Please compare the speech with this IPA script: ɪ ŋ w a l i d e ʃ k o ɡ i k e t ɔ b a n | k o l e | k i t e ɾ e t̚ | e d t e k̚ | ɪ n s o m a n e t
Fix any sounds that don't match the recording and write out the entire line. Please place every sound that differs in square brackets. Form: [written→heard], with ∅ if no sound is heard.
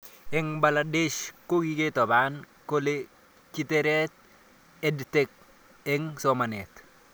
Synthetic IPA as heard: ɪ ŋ [w→b] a l [i→a] d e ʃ k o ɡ i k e t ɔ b a n | k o l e | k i t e ɾ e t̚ | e d t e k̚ | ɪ [n→ŋ] s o m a n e t